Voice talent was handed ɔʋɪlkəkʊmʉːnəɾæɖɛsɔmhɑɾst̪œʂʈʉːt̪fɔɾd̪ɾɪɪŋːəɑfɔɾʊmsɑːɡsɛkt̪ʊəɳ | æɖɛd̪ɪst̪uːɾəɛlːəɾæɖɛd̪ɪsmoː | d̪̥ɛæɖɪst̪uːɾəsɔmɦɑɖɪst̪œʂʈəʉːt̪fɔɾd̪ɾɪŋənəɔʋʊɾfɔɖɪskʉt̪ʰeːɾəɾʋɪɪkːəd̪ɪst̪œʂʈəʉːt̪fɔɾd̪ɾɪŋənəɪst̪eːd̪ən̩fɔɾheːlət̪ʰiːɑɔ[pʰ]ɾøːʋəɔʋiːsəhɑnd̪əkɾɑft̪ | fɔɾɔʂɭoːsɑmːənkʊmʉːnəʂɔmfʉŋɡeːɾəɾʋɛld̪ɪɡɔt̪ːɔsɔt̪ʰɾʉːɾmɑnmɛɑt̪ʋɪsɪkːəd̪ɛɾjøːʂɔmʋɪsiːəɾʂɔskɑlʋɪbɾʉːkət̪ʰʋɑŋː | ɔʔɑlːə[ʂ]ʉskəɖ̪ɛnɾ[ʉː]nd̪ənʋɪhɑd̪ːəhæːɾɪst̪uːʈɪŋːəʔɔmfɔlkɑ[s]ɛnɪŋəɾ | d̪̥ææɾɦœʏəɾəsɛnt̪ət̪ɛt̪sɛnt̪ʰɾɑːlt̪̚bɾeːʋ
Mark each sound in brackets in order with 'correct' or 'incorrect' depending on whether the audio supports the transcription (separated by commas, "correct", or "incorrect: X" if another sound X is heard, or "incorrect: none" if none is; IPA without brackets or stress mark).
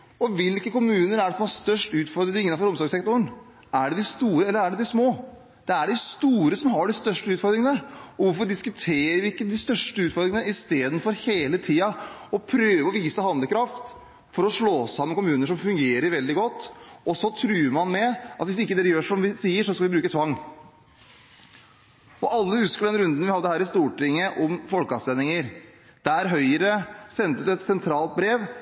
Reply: correct, incorrect: h, incorrect: ʉ, correct